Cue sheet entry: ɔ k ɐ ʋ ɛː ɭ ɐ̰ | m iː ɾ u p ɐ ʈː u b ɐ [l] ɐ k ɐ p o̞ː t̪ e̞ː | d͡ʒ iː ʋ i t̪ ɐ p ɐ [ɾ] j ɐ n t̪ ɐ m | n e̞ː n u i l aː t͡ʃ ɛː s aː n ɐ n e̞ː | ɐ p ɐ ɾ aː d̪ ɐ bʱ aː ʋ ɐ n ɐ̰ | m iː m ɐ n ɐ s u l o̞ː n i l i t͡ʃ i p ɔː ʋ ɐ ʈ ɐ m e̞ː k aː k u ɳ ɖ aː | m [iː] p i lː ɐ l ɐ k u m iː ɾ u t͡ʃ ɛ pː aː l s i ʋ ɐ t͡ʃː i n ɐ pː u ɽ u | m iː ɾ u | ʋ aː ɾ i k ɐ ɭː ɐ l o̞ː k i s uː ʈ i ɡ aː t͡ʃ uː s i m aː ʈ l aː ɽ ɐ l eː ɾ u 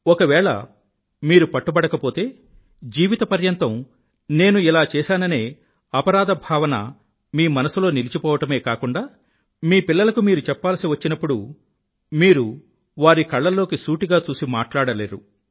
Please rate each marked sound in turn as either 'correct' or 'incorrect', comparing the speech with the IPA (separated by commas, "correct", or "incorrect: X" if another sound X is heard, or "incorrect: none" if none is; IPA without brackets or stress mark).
incorrect: ɽ, correct, correct